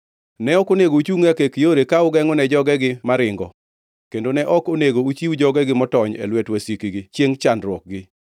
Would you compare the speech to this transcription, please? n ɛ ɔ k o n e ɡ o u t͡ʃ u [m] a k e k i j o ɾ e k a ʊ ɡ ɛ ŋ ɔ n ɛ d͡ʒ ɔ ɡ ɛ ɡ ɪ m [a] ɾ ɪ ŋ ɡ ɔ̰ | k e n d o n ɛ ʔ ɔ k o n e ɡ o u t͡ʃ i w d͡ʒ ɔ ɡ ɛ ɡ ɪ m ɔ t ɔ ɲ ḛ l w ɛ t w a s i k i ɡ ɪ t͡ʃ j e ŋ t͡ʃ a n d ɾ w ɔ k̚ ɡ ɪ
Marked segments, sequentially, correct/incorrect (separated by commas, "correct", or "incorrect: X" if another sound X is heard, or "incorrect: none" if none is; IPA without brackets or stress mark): incorrect: ŋ, correct